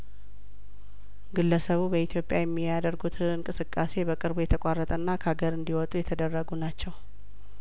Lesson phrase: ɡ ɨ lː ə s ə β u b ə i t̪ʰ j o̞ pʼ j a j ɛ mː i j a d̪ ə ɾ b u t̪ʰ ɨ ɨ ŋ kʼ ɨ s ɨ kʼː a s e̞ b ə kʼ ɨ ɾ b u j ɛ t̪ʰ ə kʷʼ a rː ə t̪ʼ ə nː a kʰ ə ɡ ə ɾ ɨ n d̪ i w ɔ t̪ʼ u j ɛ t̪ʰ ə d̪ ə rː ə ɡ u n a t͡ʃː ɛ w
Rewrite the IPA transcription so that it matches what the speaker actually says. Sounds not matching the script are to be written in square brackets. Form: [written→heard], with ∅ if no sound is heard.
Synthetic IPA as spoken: ɡ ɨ lː ə s ə β u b ə i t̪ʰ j o̞ pʼ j a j ɛ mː i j a d̪ ə ɾ [b→ɡ] u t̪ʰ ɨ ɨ ŋ kʼ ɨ s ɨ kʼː a s e̞ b ə kʼ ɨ ɾ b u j ɛ t̪ʰ ə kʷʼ a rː ə t̪ʼ ə nː a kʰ [ə→a] ɡ ə ɾ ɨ n d̪ i w ɔ t̪ʼ u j ɛ t̪ʰ ə d̪ ə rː ə ɡ u n a t͡ʃː ɛ w